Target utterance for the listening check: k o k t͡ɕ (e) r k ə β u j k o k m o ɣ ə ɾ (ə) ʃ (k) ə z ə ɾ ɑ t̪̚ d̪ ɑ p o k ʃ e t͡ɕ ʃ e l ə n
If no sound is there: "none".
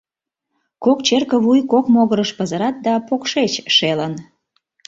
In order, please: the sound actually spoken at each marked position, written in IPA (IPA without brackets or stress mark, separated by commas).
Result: e, ə, p